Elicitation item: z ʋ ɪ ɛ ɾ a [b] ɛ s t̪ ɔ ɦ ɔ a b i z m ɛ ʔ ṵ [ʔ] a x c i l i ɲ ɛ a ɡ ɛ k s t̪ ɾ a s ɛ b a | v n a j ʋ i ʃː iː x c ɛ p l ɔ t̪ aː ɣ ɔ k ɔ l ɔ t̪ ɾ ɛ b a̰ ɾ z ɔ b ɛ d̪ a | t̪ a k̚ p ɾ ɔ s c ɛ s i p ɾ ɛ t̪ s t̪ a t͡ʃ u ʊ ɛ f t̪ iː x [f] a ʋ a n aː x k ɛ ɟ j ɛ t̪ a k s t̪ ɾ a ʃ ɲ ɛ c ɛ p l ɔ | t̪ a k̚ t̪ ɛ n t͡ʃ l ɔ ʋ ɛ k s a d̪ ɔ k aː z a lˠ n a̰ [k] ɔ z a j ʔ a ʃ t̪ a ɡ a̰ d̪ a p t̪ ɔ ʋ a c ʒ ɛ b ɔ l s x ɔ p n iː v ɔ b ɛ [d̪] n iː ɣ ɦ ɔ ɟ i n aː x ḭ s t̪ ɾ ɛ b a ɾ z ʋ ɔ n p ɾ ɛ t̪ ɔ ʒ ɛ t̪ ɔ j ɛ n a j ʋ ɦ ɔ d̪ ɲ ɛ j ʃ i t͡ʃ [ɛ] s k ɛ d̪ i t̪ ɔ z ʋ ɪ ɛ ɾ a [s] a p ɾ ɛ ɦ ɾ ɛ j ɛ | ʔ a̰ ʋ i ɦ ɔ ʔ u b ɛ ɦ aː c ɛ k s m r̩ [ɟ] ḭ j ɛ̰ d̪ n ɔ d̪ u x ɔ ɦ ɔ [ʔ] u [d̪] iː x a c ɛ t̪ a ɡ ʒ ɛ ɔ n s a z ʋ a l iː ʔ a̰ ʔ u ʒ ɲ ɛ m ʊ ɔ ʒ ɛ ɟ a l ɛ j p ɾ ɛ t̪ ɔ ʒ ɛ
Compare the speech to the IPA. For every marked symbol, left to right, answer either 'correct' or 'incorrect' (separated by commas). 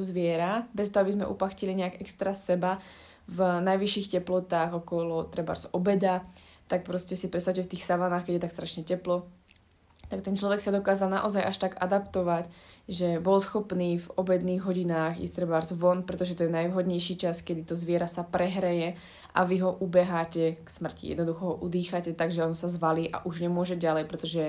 correct, incorrect, incorrect, incorrect, correct, incorrect, correct, incorrect, correct, correct